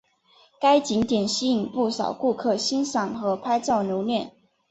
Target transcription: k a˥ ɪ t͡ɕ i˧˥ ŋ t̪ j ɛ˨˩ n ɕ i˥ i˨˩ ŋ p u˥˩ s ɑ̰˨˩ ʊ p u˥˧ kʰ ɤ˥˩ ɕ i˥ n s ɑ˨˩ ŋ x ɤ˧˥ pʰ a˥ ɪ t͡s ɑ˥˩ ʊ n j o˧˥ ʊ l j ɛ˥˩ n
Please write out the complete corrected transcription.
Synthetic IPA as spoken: k a˥ ɪ t͡ɕ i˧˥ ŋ t̪ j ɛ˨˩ n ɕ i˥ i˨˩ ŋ p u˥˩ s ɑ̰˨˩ ʊ k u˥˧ kʰ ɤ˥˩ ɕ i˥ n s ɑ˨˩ ŋ x ɤ˧˥ pʰ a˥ ɪ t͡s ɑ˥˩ ʊ n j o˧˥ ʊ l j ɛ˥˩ n